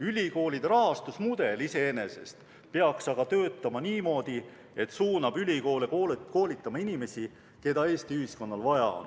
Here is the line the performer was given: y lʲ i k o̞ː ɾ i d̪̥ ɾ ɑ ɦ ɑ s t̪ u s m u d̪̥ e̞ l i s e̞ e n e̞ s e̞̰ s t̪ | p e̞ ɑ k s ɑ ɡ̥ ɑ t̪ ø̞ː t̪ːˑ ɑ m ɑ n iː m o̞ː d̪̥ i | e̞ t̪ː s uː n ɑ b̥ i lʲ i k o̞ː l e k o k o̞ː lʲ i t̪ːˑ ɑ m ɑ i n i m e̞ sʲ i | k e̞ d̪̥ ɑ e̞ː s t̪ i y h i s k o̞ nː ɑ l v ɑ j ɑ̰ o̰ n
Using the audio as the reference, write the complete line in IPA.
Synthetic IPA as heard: y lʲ i k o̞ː l i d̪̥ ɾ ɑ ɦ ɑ s t̪ u s m u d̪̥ e̞ l i s e̞ e n e̞ s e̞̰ s t̪ | p e̞ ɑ k s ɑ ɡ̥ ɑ t̪ ø̞ː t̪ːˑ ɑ m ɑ n iː m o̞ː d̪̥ i | e̞ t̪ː s uː n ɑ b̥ y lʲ i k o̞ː l e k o k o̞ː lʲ i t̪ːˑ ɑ m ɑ i n i m e̞ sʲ i | k e̞ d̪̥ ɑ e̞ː s t̪ i y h i s k o̞ nː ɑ l v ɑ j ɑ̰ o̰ n

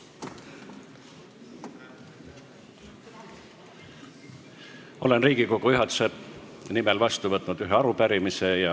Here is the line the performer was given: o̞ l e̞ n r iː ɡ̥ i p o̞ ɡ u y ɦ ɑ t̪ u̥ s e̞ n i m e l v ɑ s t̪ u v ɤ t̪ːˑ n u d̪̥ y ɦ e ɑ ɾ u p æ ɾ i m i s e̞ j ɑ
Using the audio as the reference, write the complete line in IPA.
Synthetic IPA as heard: o̞ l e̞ n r iː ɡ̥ i k o̞ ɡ u y ɦ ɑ t̪ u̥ s e̞ n i m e l v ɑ s t̪ u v ɤ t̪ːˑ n u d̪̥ y ɦ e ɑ ɾ u p æ ɾ i m i s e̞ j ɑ

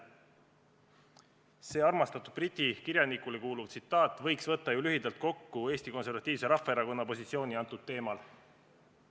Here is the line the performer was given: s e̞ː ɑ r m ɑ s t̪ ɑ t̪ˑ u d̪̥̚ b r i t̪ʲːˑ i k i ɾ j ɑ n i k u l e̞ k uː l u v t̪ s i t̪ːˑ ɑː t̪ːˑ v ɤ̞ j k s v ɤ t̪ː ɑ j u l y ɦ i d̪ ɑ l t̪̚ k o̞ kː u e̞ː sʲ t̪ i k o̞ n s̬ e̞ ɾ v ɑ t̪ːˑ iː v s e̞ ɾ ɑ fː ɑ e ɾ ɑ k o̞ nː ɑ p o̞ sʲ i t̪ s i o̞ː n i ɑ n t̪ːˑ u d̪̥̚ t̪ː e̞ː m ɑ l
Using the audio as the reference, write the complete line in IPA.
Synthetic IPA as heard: s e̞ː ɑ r m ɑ s t̪ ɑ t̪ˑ u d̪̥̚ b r i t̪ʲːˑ i k i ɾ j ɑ n i k u l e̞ k uː l u v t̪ s i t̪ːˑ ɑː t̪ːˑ v ɤ̞ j k s v ɤ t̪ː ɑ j u l y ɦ i d̪ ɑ l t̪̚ k o̞ kː u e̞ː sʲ t̪ i k o̞ n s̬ e̞ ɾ v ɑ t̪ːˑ iː v s e̞ ɾ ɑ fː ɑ e ɾ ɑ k o̞ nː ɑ p o̞ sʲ i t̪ s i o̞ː n i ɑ n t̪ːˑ u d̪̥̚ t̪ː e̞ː m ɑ l

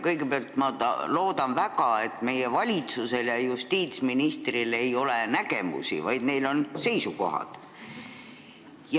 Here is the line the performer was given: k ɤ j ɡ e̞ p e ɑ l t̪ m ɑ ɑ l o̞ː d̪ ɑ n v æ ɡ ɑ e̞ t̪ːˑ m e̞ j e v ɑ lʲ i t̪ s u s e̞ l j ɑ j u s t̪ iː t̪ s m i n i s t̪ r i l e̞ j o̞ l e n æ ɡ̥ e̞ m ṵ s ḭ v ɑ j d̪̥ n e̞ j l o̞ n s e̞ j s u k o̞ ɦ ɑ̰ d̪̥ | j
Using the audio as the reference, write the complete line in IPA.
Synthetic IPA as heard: k ɤ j ɡ e̞ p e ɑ l t̪ m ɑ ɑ l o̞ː d̪ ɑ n v æ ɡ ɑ e̞ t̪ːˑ m e̞ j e v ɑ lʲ i t̪ s u s e̞ l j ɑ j u s t̪ iː t̪ s m i n i s t̪ r i l e̞ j o̞ l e n æ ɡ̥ e̞ m ṵ s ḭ v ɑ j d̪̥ n e̞ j l o̞ n s e̞ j s u k o̞ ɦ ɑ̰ d̪̥ | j

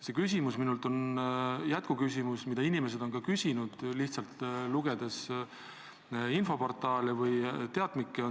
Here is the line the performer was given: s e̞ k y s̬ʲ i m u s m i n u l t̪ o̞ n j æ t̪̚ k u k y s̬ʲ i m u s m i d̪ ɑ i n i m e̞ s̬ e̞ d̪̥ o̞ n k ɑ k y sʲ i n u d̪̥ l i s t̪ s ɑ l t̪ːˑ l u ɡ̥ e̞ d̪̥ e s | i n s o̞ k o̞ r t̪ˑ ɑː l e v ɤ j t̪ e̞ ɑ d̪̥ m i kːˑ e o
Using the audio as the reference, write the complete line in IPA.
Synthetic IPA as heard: s e̞ k y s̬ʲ i m u s m i n u l t̪ o̞ n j æ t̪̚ k u k y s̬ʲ i m u s m i d̪ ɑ i n i m e̞ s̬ e̞ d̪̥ o̞ n k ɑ k y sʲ i n u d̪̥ l i h t̪ s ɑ l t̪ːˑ l u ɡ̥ e̞ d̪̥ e s | i n f o̞ p o̞ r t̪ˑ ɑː l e v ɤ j t̪ e̞ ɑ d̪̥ m i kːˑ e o

